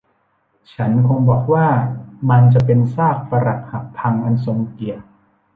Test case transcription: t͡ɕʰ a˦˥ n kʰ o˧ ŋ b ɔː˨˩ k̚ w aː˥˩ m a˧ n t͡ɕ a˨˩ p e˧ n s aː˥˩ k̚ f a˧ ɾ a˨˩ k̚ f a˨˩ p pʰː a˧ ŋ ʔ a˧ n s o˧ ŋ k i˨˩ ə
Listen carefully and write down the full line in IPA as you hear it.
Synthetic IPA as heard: t͡ɕʰ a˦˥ n kʰ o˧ ŋ b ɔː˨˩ k̚ w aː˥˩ m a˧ n t͡ɕ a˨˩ p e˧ n s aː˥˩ k̚ f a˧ ɾ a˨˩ k̚ h a˨˩ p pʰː a˧ ŋ ʔ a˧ n s o˧ ŋ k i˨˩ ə

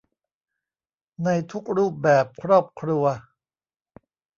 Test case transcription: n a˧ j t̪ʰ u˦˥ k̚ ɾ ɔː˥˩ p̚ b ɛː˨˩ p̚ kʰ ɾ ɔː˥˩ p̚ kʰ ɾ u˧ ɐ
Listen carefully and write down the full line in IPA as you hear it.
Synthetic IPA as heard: n a˧ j t̪ʰ u˦˥ k̚ ɾ uː˥˩ p̚ b ɛː˨˩ p̚ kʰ ɾ ɔː˥˩ p̚ kʰ ɾ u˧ ɐ

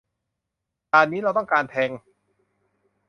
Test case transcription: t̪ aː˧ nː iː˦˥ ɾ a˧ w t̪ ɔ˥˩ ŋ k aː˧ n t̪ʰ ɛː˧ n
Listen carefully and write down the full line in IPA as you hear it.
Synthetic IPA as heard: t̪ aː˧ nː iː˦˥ ɾ a˧ w t̪ ɔ˥˩ ŋ k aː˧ n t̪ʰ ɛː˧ ŋ

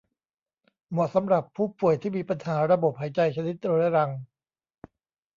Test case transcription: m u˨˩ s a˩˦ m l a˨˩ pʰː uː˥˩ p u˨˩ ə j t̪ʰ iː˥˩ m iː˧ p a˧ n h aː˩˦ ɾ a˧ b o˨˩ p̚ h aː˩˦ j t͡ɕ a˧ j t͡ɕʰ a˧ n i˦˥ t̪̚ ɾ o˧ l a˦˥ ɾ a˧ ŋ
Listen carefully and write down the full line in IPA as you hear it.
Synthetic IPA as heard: m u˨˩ s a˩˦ m ɾ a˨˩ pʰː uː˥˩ p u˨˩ ə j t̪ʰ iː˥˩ m iː˧ p a˧ n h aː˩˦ ɾ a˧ b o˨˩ p̚ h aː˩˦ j t͡ɕ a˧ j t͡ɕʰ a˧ n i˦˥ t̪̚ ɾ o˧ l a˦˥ ɾ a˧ ŋ

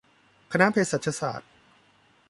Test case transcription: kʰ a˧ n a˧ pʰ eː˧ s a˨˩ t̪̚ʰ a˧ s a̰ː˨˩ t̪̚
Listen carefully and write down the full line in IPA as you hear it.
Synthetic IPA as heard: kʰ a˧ n a˦˥ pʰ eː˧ s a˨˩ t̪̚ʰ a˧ s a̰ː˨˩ t̪̚

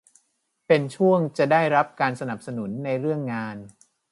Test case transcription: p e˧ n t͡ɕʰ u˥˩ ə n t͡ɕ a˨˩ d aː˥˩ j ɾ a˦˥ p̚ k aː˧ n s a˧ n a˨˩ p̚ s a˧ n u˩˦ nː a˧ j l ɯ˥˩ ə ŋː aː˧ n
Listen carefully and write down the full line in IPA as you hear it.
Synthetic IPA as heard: p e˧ n t͡ɕʰ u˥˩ ə ŋ t͡ɕ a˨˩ d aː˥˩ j ɾ a˦˥ p̚ k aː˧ n s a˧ n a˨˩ p̚ s a˧ n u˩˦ nː a˧ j ɾ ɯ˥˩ ə ŋː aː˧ n

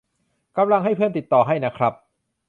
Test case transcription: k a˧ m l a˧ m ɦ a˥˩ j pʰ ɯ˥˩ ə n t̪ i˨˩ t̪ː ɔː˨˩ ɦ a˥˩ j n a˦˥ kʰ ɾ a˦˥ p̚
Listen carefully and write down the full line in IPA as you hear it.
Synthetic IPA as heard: k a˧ m l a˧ ŋ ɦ a˥˩ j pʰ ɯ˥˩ ə n t̪ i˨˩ t̪ː ɔː˨˩ ɦ a˥˩ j n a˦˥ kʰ ɾ a˦˥ p̚

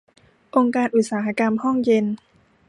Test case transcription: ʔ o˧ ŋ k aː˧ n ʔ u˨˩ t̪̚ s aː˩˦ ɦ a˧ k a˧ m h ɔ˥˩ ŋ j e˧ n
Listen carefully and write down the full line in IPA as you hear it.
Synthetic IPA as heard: ʔ o˧ ŋ k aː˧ n ʔ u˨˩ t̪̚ s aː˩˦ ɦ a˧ k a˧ m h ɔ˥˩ ŋ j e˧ n

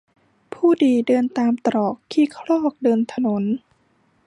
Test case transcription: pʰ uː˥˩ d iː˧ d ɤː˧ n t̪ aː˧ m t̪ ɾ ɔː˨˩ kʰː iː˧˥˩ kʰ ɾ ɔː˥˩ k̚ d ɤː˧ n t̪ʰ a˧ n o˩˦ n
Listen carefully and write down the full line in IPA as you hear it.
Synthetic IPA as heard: pʰ uː˥˩ d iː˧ d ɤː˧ n t̪ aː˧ m t̪ ɾ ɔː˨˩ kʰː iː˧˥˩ kʰ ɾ ɔː˥˩ k̚ d ɤː˧ n t̪ʰ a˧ n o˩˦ n

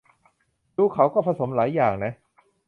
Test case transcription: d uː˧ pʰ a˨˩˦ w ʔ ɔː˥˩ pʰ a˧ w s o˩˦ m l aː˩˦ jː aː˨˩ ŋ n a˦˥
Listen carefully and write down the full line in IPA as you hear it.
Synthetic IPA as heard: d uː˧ kʰ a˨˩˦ w k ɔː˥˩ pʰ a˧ s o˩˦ m l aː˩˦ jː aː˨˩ ŋ n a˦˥

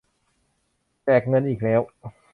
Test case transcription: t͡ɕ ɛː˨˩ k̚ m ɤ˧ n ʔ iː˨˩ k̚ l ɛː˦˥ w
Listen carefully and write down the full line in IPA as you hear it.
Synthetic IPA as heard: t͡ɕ ɛː˨˩ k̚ ŋ ɤ˧ n ʔ iː˨˩ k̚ l ɛː˦˥ w

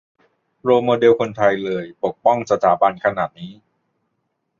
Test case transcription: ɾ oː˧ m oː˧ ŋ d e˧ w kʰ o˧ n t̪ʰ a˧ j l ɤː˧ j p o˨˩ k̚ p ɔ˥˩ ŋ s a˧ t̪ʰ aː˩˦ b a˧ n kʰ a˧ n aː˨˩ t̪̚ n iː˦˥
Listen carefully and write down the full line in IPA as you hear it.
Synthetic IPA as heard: ɾ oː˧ m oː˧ d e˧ w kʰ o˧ n t̪ʰ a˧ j l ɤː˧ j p o˨˩ k̚ p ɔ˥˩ ŋ s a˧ t̪ʰ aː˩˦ b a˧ n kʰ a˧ n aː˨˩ t̪̚ n iː˦˥

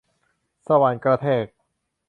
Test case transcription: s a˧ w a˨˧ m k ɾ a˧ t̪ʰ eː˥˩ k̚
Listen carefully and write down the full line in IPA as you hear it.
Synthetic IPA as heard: s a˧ w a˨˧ n k ɾ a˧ t̪ʰ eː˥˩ k̚

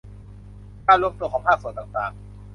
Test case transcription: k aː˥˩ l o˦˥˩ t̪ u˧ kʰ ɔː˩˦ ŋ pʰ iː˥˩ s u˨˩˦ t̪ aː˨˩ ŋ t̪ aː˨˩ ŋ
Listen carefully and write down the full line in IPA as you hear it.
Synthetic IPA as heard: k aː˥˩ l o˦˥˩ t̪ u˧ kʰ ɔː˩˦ ŋ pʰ aː˥˩ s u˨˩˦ t̪ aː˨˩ ŋ t̪ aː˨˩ ŋ

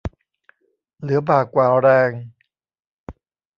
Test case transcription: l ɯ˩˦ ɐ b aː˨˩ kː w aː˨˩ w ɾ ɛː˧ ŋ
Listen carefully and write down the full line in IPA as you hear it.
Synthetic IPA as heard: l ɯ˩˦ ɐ b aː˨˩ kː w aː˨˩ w ɾ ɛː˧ ŋ

